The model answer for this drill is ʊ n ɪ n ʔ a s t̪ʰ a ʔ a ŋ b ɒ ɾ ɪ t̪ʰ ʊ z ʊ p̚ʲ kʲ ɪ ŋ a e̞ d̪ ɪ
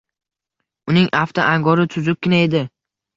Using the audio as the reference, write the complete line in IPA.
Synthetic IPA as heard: ʊ n ɪ ŋ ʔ a f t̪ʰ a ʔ a ŋ ɡ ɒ ɾ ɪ t̪ʰ ʊ z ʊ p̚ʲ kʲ ɪ n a e̞ d̪ ɪ